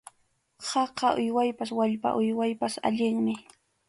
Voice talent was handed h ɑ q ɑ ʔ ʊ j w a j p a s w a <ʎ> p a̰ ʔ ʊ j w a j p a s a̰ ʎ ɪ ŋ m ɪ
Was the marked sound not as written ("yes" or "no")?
no